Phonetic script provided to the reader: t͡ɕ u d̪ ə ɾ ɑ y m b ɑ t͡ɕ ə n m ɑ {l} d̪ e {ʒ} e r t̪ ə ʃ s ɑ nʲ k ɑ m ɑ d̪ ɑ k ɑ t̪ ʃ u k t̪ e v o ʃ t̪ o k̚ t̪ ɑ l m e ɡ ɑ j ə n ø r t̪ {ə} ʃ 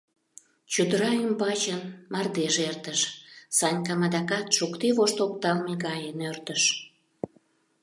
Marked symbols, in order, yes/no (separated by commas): no, yes, yes